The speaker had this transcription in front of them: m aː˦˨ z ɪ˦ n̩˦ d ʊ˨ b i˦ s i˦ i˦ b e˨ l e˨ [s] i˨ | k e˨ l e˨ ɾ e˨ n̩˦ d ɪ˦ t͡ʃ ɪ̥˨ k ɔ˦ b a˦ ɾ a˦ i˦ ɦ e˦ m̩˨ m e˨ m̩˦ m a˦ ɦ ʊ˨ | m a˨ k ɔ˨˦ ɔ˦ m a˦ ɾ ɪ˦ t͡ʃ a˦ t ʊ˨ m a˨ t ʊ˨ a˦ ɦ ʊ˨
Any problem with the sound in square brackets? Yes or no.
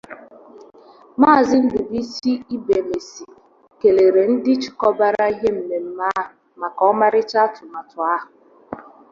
no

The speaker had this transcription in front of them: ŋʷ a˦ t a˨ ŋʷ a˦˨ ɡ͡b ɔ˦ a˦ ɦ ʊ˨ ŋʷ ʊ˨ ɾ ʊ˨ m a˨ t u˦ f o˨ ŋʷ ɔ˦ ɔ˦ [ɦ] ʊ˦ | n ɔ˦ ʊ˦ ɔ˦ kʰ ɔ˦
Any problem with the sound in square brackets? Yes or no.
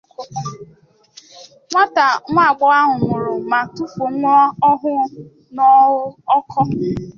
no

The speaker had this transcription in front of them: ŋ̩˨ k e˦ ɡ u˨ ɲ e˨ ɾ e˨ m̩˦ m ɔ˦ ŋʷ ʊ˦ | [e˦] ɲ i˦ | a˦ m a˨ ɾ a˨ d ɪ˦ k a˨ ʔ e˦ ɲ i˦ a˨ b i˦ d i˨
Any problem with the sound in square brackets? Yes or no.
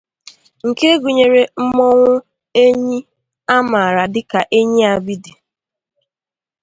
no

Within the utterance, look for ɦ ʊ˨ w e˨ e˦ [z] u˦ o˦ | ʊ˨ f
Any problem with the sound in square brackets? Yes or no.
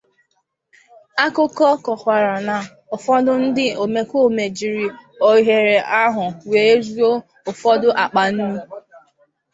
no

